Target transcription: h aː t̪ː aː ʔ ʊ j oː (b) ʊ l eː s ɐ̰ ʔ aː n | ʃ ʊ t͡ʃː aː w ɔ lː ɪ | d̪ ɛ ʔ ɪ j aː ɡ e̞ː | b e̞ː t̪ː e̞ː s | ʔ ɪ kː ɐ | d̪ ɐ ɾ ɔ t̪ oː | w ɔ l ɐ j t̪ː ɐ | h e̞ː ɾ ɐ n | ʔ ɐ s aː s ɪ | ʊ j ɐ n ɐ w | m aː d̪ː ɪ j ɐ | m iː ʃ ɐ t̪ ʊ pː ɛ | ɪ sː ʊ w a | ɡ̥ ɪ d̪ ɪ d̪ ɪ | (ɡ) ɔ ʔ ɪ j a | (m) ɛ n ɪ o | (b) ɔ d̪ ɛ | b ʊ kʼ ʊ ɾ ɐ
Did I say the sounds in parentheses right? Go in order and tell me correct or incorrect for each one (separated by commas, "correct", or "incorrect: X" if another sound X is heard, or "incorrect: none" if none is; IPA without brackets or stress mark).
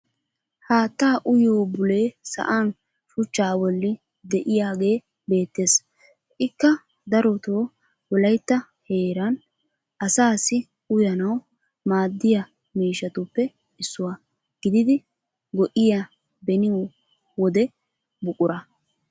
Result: correct, correct, incorrect: b, incorrect: w